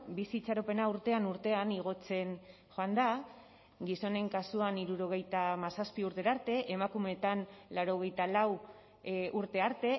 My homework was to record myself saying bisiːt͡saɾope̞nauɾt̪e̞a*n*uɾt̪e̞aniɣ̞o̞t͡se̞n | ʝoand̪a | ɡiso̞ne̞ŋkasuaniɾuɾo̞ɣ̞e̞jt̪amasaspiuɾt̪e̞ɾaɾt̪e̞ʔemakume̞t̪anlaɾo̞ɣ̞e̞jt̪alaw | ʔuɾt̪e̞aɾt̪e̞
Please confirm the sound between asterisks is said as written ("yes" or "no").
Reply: yes